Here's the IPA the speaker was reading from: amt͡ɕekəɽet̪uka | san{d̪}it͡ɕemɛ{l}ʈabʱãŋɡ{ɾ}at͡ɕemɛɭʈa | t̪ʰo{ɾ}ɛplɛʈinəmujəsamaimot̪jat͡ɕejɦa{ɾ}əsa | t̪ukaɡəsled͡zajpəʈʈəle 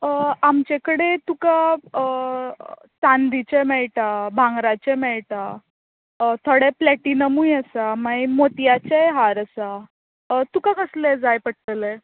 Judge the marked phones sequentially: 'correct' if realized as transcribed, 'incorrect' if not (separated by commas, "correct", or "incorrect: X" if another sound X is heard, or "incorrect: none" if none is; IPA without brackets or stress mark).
correct, incorrect: ɭ, correct, incorrect: ɽ, correct